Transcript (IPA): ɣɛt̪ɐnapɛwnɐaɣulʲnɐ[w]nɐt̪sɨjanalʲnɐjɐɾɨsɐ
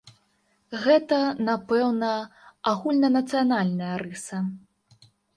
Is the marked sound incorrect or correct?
incorrect